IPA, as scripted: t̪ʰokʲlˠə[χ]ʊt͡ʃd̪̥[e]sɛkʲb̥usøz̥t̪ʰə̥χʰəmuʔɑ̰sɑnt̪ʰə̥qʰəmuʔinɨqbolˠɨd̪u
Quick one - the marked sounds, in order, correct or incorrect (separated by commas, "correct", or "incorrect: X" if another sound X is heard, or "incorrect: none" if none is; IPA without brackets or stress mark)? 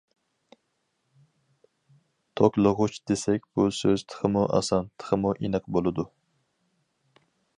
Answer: incorrect: ʁ, correct